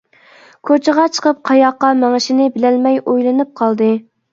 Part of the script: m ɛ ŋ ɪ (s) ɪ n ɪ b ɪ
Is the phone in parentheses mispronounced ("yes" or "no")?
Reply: yes